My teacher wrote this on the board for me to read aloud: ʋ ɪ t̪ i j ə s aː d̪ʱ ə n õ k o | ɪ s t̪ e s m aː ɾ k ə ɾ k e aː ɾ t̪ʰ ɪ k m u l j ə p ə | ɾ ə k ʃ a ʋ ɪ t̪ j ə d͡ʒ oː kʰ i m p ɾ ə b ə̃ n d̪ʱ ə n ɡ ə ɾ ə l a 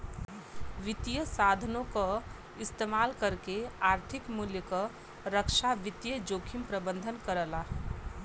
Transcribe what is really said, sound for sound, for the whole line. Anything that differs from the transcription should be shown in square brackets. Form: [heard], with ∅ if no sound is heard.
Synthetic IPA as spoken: ʋ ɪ t̪ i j ə s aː d̪ʱ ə n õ k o | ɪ s t̪ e [∅] m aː [l] k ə ɾ k e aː ɾ t̪ʰ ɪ k m u l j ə [k] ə | ɾ ə k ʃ a ʋ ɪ t̪ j ə d͡ʒ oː kʰ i m p ɾ ə b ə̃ n d̪ʱ ə n [k] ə ɾ ə l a

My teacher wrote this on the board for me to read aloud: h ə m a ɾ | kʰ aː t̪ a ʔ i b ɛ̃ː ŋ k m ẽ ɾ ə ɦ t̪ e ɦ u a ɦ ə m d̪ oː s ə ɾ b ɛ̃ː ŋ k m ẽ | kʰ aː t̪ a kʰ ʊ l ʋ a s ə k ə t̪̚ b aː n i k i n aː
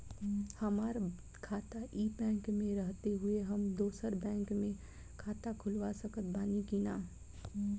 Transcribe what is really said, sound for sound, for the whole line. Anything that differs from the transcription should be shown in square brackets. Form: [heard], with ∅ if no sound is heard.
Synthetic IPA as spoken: h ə m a ɾ | kʰ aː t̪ a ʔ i b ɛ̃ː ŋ k m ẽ ɾ ə ɦ t̪ e ɦ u [e] ɦ ə m d̪ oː s ə ɾ b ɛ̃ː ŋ k m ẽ | kʰ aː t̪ a kʰ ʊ l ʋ a s ə k ə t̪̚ b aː n i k i n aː

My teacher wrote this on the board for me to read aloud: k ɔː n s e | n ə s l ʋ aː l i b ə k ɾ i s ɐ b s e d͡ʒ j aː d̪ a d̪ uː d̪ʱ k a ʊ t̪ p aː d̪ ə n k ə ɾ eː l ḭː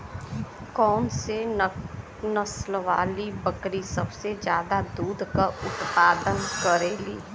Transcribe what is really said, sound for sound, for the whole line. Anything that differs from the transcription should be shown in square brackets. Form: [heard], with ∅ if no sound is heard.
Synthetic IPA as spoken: k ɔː n s e | n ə s l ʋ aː l i b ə k ɾ i s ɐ b s e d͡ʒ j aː d̪ a d̪ uː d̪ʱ k a ʊ t̪ p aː d̪ ə n k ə ɾ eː l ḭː

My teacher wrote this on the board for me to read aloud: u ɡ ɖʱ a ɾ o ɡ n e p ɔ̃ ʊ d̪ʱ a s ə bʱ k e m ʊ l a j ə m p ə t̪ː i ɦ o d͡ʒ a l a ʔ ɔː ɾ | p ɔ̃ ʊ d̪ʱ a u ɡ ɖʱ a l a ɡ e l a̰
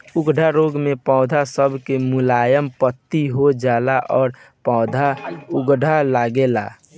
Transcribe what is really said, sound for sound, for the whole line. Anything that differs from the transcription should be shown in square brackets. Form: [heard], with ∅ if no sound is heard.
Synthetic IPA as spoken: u ɡ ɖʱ a ɾ o ɡ [m] e p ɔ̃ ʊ d̪ʱ a s ə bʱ k e m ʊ l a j ə m p ə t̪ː i ɦ o d͡ʒ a l a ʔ ɔː ɾ | p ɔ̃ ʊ d̪ʱ a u ɡ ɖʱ a l a ɡ e l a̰

